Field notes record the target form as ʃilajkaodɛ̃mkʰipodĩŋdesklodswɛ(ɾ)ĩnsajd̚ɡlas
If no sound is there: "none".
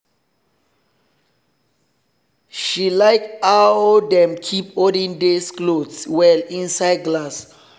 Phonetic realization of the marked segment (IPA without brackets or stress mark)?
l